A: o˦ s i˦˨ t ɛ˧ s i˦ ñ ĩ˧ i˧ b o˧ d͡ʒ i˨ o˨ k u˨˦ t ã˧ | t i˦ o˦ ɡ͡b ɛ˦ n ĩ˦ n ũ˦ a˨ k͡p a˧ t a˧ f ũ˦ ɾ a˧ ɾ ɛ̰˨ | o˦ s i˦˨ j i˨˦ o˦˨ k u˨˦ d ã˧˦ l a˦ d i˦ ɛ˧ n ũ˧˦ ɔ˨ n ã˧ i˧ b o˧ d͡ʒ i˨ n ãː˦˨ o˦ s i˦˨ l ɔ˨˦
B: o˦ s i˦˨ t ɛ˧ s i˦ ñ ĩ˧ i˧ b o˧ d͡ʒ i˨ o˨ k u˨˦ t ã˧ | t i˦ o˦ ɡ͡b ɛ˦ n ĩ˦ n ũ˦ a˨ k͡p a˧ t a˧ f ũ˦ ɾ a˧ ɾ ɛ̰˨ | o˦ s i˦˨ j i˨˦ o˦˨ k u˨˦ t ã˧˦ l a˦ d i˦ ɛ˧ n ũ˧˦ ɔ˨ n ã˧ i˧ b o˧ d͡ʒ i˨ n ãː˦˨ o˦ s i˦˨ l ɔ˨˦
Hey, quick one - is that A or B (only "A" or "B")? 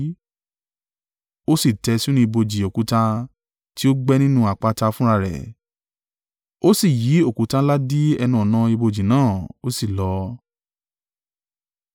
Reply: B